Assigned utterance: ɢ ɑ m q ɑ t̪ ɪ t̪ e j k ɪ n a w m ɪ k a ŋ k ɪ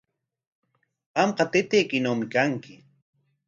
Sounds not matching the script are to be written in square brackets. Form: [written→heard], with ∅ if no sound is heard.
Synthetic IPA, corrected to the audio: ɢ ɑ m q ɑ t̪ ɪ t̪ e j k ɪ n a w m ɪ k a ŋ k ɪ